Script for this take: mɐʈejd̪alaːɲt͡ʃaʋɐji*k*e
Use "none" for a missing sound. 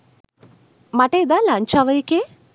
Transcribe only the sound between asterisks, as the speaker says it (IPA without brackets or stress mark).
k